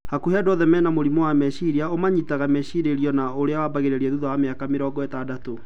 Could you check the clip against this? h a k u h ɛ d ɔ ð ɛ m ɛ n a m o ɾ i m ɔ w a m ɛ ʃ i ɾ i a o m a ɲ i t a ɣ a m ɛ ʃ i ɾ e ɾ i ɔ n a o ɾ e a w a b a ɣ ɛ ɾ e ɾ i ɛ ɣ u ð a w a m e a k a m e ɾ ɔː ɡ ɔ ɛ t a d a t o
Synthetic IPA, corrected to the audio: h a k u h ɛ d ɔ ð ɛ m ɛ n a m o ɾ i m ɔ w a m ɛ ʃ i ɾ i a o m a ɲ i t a ɣ a m ɛ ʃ i ɾ e ɾ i ɔ n a o ɾ e a w a b a ɣ e ɾ e ɾ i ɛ ð u ð a w a m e a k a m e ɾ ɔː ɡ ɔ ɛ t a d a t o